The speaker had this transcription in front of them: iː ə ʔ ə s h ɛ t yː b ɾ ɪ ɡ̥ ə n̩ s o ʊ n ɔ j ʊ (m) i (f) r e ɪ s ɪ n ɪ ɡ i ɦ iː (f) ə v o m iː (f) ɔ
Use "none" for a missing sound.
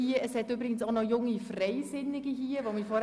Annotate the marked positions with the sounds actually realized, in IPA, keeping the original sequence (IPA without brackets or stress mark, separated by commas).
ŋ, f, none, f